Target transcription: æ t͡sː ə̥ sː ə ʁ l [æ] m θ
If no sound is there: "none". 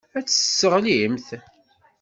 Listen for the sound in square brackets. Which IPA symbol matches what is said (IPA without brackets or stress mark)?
i